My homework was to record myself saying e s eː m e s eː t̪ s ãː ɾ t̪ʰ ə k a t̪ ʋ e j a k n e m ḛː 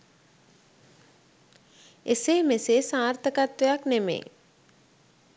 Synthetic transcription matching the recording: e s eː m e s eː s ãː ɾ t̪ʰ ə k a t̪ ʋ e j a k n e m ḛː